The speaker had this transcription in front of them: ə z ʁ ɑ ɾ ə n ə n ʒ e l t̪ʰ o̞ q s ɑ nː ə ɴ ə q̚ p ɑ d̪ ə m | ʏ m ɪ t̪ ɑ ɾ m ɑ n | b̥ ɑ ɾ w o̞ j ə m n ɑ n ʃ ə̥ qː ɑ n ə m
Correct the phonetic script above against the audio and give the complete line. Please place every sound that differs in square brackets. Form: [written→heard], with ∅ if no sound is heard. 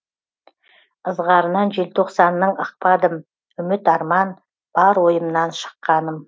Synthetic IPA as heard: ə z ʁ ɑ ɾ ə n [ə→ɑ] n ʒ e l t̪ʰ o̞ q s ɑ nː ə ɴ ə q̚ p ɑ d̪ ə m | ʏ m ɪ t̪ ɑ ɾ m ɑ n | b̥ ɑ ɾ w o̞ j ə m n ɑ n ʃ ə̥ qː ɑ n ə m